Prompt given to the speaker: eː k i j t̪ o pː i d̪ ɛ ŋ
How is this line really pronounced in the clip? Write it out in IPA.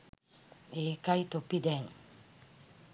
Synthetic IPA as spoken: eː k a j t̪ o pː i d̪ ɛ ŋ